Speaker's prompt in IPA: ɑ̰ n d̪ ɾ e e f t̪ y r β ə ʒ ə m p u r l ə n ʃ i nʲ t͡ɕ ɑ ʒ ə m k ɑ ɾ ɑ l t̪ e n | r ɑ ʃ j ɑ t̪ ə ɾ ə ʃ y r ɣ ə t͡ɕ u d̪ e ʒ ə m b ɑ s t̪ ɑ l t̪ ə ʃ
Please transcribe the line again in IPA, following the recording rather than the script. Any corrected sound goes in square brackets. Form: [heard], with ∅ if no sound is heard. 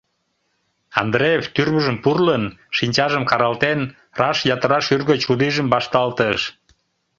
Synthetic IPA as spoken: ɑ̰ n d̪ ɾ e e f t̪ y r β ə ʒ ə m p u r l ə n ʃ i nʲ t͡ɕ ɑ ʒ ə m k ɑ ɾ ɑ l t̪ e n | r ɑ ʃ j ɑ t̪ ə ɾ [ɑ] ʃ y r ɣ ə t͡ɕ u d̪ [i] ʒ ə m b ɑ [ʃ] t̪ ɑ l t̪ ə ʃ